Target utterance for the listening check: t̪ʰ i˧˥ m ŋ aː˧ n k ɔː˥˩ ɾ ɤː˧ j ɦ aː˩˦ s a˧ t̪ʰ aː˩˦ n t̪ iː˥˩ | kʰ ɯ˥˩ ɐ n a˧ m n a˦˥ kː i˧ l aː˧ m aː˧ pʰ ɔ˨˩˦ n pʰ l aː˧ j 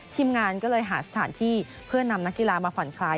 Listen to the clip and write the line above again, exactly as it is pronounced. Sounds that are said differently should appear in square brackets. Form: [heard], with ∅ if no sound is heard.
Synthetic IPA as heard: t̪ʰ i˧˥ m ŋ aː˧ n k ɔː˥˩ [l] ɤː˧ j ɦ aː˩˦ s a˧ t̪ʰ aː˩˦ n [t̪ʰ] iː˥˩ | [pʰ] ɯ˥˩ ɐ n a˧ m n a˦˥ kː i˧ l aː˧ m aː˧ pʰ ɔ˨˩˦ n [kʰ] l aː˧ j